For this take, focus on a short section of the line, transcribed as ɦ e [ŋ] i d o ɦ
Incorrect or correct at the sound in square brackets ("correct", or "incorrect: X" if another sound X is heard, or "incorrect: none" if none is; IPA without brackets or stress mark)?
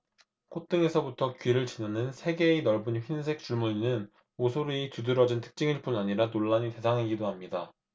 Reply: incorrect: ɡ